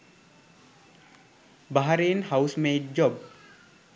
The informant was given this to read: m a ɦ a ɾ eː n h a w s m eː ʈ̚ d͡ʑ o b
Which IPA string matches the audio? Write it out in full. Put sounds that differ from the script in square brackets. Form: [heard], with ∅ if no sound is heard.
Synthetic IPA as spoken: [b] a ɦ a ɾ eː n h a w s m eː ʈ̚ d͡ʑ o b